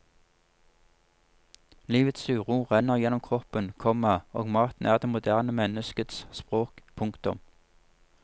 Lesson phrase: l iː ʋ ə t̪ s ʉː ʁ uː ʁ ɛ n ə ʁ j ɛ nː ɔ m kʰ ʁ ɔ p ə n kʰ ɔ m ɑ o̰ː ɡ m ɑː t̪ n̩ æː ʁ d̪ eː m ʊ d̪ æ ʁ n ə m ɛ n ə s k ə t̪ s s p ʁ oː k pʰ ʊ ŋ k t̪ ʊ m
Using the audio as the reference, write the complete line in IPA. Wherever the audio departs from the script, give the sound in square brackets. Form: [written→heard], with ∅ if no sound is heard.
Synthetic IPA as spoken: l iː ʋ ə t̪ s ʉː ʁ uː ʁ ɛ n ə ʁ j ɛ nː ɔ m kʰ ʁ ɔ p ə n kʰ ɔ m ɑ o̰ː ɡ m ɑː t̪ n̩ æː ʁ d̪ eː m ʊ d̪ æ ʁ n ə m ɛ n ə s k ə t̪ s s p ʁ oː k pʰ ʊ ŋ k t̪ ʊ m

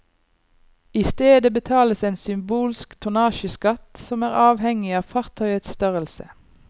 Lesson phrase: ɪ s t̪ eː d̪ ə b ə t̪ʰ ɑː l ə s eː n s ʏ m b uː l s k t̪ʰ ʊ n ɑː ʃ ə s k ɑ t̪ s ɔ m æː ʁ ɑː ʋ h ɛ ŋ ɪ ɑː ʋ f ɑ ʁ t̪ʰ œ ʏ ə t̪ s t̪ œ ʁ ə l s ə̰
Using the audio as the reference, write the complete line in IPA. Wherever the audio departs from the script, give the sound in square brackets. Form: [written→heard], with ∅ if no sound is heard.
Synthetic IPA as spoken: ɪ s t̪ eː d̪ ə b ə t̪ʰ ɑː l ə s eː n s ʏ m b uː l s k t̪ʰ ʊ n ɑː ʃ ə s k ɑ t̪ s ɔ m æː ʁ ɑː ʋ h ɛ ŋ ɪ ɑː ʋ f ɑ ʁ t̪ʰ œ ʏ ə t̪ s t̪ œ ʁ ə l s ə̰

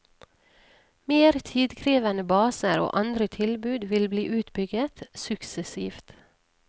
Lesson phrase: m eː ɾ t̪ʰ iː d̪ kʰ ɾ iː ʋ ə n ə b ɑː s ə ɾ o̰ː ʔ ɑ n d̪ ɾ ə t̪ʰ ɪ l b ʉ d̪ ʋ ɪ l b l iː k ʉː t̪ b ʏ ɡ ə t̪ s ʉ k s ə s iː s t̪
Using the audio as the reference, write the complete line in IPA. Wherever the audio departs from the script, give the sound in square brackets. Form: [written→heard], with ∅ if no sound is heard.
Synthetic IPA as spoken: m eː ɾ t̪ʰ iː d̪ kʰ ɾ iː ʋ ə n ə b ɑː s ə ɾ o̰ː ʔ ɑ n d̪ ɾ ə t̪ʰ ɪ l b [ʉ→ʉː] d̪ ʋ ɪ l b l iː [k→ʔ] ʉː t̪ b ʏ ɡ ə t̪ s ʉ k s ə s iː [s→f] t̪

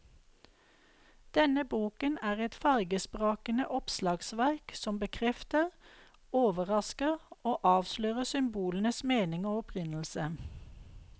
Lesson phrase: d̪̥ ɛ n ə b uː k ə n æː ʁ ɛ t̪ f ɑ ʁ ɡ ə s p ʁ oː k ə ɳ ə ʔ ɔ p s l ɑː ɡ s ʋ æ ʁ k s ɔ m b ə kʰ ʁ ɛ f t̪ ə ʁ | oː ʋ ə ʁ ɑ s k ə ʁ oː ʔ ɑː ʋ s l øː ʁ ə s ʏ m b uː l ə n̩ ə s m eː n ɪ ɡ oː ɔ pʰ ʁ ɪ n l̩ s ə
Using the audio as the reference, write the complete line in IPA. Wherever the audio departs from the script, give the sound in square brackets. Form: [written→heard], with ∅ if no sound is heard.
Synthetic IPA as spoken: d̪̥ ɛ n ə b uː k ə n æː ʁ ɛ t̪ f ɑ ʁ ɡ ə s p ʁ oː k ə [ɳ→n] ə ʔ ɔ p s l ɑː ɡ s ʋ æ ʁ k s ɔ m b ə kʰ ʁ ɛ f t̪ ə ʁ | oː ʋ ə ʁ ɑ s k ə ʁ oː ʔ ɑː ʋ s l øː ʁ ə s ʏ m b uː l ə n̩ ə s m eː n ɪ [ɡ→ŋ] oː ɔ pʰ ʁ ɪ n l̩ s ə

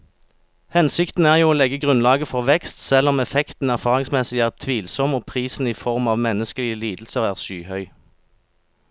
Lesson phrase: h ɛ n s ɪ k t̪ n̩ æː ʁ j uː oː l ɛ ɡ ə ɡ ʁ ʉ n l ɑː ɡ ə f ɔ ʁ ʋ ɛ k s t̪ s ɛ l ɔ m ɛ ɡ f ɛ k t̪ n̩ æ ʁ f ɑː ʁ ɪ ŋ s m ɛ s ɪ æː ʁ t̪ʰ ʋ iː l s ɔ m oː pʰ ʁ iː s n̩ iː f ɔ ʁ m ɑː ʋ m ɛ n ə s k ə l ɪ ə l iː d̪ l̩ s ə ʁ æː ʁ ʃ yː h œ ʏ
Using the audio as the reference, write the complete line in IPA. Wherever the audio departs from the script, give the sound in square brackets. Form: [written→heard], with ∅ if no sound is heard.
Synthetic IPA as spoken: h ɛ n s ɪ k t̪ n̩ æː ʁ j uː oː l ɛ ɡ ə ɡ ʁ ʉ n l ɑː ɡ ə f ɔ ʁ ʋ ɛ k s t̪ s ɛ l ɔ m ɛ [ɡ→∅] f ɛ k t̪ n̩ æ ʁ f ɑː ʁ ɪ ŋ s m ɛ s ɪ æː ʁ t̪ʰ ʋ iː l s ɔ m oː pʰ ʁ iː s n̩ iː f ɔ ʁ m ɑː ʋ m ɛ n ə s k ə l ɪ ə l iː d̪ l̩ s ə ʁ æː ʁ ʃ yː h œ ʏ

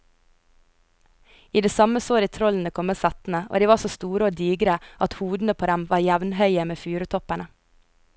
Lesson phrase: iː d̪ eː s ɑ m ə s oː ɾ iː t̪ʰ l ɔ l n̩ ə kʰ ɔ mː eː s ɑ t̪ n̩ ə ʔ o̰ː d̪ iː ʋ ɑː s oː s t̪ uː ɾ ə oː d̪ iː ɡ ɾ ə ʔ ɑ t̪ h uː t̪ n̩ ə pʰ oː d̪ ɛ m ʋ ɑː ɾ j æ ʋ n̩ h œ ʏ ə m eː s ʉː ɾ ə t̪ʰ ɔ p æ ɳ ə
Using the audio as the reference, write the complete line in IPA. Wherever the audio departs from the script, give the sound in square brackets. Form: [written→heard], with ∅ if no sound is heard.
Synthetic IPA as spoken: iː d̪ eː s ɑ m ə s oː ɾ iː t̪ʰ [l→ɾ] ɔ l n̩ ə kʰ ɔ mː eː s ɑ t̪ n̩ ə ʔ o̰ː d̪ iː ʋ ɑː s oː s t̪ uː ɾ ə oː d̪ iː ɡ ɾ ə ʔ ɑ t̪ h uː [t̪→d̪] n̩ ə pʰ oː d̪ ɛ m ʋ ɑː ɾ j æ ʋ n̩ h œ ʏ ə m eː [s→f] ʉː ɾ ə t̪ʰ ɔ p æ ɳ ə

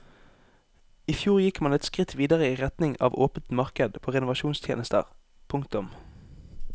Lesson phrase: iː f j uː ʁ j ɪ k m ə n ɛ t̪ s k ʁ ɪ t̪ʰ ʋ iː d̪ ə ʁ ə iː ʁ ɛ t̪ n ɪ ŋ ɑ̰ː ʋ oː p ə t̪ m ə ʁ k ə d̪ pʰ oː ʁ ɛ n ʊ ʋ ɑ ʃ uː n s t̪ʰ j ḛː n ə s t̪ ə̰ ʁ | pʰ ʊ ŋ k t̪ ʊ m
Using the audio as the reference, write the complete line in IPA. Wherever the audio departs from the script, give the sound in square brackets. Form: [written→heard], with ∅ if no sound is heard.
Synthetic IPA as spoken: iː f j uː ʁ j ɪ k m [ə→ɑ] n ɛ t̪ s k ʁ ɪ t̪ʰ ʋ iː d̪ ə ʁ ə iː ʁ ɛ t̪ n ɪ ŋ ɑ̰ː ʋ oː p ə t̪ m [ə→ɑ] ʁ k ə d̪ pʰ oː ʁ ɛ n ʊ ʋ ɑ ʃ uː n s t̪ʰ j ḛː n ə s t̪ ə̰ ʁ | pʰ ʊ ŋ k t̪ ʊ m

